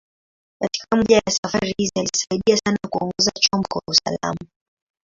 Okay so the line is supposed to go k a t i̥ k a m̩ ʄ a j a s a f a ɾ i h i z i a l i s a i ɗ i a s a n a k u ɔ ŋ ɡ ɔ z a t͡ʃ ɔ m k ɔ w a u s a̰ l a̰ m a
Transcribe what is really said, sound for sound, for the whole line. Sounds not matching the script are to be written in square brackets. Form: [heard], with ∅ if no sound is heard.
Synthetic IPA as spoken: k a t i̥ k a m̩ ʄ a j a s a f a ɾ i h i z i a l i s a i ɗ i a s a n a k u ɔ ŋ ɡ ɔ z a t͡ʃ ɔ m k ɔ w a u s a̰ l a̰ m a